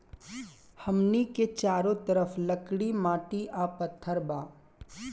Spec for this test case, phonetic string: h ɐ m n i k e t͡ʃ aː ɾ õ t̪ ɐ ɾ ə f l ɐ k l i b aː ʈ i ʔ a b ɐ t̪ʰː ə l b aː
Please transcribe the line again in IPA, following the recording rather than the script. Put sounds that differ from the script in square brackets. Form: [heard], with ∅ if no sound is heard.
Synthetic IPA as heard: h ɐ m n i k e t͡ʃ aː ɾ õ t̪ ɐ ɾ ə f l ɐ k [ɽ] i [m] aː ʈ i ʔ a [p] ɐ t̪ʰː ə [ɾ] b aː